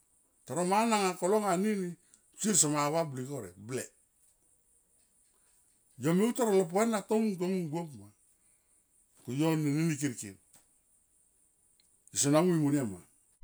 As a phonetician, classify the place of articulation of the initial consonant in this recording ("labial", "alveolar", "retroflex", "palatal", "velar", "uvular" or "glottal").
alveolar